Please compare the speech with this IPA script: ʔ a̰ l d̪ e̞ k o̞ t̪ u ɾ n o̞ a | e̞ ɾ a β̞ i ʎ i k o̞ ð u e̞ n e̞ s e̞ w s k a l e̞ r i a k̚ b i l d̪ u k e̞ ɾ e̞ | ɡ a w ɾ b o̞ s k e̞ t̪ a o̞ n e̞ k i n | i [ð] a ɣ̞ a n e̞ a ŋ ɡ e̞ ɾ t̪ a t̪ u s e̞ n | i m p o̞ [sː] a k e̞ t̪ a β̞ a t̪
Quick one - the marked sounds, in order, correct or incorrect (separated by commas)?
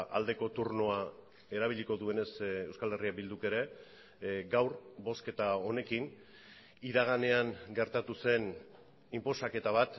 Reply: correct, incorrect